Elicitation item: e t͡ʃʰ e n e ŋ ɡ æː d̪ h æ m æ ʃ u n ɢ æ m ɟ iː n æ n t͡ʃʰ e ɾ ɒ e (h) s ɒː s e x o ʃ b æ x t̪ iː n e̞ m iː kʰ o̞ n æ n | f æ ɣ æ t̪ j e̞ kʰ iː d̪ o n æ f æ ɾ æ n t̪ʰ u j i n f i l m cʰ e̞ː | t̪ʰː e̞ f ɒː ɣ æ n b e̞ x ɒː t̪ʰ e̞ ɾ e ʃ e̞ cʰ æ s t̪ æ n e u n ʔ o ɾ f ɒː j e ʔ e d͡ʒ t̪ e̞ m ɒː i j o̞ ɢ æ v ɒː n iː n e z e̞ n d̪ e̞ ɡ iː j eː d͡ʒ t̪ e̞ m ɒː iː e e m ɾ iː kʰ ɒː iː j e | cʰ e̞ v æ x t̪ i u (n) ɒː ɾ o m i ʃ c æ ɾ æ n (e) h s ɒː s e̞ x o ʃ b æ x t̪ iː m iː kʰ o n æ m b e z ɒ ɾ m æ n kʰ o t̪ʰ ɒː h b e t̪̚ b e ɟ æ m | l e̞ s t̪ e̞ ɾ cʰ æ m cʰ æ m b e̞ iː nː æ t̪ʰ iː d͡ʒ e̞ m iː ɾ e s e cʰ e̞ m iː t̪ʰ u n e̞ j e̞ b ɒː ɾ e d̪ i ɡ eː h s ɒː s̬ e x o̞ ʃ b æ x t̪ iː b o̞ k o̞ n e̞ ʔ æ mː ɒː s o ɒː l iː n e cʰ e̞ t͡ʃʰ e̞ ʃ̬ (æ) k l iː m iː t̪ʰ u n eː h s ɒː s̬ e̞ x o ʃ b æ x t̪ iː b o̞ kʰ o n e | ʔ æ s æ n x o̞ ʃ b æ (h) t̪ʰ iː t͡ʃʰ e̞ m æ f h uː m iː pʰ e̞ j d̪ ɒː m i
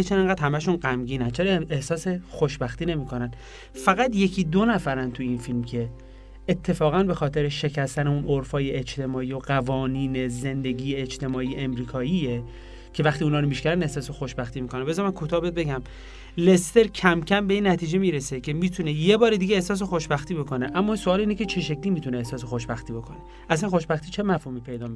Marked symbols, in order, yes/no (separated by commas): yes, yes, yes, no, no